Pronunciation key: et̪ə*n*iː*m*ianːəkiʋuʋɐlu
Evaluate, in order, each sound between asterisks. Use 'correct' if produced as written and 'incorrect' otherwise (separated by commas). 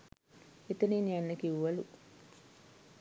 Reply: correct, incorrect